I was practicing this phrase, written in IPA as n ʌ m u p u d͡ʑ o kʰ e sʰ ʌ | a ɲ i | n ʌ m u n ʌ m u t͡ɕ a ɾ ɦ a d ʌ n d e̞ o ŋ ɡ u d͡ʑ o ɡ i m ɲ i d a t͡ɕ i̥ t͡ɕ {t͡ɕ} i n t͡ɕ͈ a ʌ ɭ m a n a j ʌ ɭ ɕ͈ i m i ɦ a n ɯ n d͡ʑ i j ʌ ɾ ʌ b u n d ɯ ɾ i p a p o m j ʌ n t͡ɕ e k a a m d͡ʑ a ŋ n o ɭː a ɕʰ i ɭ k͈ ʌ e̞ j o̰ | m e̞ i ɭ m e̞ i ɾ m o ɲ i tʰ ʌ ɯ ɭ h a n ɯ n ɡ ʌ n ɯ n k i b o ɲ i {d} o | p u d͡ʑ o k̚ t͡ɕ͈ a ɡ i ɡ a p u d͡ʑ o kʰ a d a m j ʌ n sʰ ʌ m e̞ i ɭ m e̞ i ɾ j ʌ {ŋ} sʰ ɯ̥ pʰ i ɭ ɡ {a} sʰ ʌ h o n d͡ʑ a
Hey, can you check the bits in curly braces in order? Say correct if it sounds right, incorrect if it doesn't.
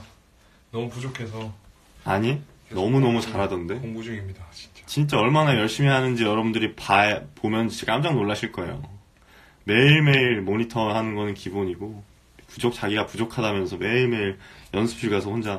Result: correct, incorrect: ɡ, incorrect: n, correct

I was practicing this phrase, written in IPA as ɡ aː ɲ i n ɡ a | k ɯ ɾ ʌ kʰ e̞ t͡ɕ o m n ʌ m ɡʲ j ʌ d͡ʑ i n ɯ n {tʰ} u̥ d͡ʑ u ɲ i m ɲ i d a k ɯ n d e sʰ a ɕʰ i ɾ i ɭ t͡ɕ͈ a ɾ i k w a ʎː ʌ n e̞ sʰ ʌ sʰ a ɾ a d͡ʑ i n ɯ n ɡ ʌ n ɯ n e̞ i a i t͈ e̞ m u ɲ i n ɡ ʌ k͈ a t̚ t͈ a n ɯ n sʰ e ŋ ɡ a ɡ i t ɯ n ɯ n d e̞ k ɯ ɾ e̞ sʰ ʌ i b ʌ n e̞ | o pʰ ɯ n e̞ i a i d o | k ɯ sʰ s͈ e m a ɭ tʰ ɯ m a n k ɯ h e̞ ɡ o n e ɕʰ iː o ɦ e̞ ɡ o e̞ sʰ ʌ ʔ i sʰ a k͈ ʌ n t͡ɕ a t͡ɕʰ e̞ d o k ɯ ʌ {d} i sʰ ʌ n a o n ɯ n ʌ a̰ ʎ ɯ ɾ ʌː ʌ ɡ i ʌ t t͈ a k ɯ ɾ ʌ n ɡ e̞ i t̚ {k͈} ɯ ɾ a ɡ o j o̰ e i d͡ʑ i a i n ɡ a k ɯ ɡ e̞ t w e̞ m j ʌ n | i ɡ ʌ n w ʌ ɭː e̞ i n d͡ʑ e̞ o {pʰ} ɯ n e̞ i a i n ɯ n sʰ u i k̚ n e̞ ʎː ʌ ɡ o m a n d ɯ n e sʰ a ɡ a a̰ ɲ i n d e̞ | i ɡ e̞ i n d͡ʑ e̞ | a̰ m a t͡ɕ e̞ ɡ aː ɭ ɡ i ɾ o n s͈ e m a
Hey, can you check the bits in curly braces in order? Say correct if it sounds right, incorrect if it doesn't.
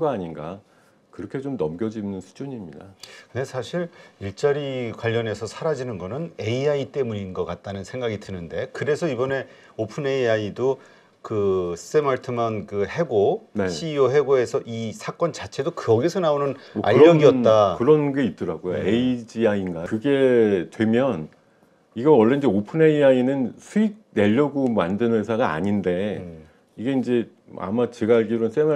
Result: incorrect: sʰ, incorrect: ɡ, incorrect: t͈, correct

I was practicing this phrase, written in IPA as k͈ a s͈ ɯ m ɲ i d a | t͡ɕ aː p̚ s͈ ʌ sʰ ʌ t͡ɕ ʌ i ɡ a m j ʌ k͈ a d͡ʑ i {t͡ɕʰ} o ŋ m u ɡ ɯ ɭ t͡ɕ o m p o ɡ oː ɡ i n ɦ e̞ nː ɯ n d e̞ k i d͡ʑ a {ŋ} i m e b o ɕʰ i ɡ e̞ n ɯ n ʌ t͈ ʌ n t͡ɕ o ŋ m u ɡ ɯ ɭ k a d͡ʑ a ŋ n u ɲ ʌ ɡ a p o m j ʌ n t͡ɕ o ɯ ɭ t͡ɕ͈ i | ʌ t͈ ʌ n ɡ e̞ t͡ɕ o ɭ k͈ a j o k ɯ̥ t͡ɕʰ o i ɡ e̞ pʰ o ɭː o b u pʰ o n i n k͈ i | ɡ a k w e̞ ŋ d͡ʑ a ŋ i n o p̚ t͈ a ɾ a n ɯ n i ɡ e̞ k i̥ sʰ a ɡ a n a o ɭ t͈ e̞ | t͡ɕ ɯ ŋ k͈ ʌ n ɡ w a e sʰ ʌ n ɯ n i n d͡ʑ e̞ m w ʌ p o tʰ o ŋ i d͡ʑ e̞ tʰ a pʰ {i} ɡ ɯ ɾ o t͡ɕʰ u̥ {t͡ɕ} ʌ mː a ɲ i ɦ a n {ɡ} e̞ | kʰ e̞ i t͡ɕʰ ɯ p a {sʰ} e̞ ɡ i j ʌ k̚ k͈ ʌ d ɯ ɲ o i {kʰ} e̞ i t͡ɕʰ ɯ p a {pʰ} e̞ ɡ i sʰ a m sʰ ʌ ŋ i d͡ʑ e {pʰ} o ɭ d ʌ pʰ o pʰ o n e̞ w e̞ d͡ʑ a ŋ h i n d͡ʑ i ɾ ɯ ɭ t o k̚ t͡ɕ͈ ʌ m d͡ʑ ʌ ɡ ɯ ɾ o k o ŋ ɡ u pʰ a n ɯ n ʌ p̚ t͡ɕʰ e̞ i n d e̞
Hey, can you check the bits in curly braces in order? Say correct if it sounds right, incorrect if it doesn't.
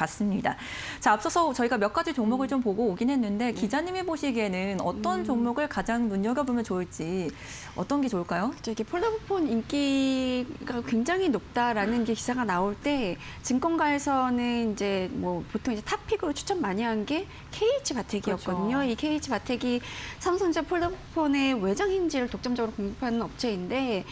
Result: incorrect: t͡ɕ, incorrect: ɲ, correct, incorrect: t͡ɕʰ, correct, incorrect: tʰ, correct, incorrect: tʰ, correct

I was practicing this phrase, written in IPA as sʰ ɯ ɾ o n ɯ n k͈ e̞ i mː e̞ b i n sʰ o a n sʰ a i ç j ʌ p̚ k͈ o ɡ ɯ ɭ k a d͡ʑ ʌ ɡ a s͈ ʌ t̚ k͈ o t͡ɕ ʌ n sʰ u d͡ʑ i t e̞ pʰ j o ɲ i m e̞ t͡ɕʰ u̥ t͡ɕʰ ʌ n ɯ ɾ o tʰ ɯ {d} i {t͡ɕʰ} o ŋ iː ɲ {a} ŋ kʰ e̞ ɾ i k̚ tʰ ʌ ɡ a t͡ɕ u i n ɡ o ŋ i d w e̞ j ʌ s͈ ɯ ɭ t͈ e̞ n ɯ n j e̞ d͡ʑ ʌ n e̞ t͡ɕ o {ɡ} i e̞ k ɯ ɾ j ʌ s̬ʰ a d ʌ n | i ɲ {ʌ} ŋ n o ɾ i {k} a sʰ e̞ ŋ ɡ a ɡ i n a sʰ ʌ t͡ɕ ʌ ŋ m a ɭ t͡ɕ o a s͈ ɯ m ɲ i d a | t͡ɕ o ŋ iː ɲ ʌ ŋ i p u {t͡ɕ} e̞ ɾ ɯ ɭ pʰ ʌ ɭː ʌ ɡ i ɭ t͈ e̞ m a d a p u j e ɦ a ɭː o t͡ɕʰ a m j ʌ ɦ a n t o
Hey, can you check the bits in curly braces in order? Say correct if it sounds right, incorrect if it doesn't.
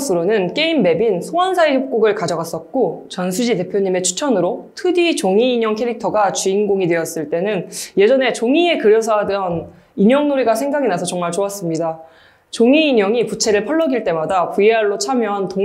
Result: correct, incorrect: t͡ɕ, incorrect: ʌ, incorrect: ŋ, correct, incorrect: ɡ, incorrect: t͡ɕʰ

